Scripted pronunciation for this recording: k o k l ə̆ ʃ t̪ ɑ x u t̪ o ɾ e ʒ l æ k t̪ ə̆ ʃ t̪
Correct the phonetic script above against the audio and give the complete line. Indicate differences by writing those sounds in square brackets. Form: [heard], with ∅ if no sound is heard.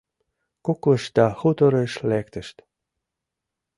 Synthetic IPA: k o k l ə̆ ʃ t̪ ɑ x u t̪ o ɾ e [ʃ] l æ k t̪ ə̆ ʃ t̪